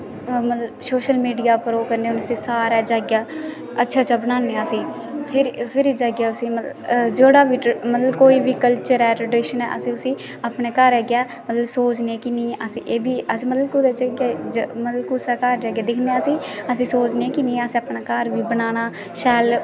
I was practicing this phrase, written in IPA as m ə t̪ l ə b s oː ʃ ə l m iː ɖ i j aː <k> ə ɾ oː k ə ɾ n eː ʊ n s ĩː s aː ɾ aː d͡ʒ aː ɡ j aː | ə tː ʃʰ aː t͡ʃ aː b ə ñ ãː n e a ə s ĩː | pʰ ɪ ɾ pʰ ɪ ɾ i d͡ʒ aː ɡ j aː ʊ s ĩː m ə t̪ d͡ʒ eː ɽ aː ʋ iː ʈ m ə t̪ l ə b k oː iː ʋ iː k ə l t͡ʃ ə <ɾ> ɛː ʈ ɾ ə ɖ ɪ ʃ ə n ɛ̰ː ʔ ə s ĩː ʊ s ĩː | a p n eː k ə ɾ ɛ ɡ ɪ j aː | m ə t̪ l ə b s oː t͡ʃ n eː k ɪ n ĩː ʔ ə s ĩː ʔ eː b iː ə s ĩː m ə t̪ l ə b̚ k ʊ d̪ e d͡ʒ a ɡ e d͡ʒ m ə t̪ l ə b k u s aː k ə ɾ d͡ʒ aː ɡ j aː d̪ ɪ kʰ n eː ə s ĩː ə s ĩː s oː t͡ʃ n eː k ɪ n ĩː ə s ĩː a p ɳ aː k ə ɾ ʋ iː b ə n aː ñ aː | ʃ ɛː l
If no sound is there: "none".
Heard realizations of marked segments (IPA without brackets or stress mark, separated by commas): p, ɾ